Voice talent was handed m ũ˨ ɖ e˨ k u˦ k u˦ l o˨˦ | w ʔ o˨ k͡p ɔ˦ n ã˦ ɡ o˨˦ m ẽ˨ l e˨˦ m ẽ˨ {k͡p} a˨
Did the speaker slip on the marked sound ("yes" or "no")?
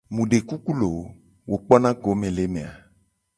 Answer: yes